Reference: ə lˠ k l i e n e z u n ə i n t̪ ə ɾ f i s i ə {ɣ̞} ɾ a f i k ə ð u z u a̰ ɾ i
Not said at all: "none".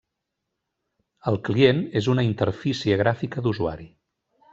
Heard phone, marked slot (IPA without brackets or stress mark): ɣ̞